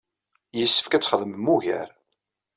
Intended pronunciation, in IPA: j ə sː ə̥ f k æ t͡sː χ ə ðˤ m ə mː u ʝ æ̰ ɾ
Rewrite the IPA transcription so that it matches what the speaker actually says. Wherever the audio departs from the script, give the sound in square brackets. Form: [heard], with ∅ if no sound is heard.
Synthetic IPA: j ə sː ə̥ f k æ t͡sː χ ə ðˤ m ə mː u ʝ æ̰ ɾ